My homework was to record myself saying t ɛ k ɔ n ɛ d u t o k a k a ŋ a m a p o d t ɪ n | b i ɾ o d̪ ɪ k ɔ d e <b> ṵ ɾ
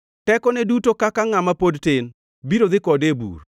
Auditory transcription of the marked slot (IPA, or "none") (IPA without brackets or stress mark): b